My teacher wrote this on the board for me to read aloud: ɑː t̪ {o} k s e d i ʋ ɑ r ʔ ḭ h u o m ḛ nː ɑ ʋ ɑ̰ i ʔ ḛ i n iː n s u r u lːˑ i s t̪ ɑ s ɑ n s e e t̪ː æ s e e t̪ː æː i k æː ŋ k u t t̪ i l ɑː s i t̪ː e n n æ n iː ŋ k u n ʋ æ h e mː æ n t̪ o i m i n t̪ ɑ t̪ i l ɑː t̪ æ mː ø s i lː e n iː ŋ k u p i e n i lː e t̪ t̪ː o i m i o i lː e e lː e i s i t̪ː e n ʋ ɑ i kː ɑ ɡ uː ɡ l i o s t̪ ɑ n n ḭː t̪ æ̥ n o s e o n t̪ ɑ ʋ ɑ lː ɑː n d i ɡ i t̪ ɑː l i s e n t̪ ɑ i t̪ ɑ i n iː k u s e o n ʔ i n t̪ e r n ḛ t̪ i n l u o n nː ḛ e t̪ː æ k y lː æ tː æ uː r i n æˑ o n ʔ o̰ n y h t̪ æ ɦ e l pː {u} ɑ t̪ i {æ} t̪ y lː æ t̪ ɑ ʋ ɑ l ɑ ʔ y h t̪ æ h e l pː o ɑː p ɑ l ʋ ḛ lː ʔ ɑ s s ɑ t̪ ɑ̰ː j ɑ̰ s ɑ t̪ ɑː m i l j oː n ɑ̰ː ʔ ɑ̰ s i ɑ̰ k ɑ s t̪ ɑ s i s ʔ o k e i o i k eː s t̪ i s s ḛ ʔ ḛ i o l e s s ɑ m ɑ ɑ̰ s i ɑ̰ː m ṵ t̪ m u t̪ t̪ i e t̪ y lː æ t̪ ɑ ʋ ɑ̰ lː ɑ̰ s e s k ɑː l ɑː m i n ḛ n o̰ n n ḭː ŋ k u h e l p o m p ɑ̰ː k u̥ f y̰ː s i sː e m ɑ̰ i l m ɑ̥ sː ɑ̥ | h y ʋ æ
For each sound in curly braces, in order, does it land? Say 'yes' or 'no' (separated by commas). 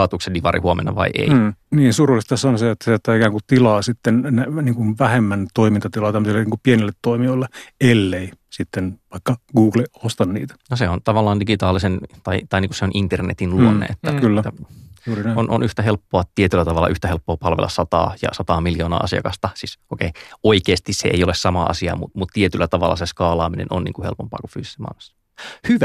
no, no, no